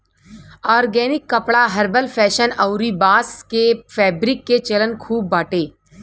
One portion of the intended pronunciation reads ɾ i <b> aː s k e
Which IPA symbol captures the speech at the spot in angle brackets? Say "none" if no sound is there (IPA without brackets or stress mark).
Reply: b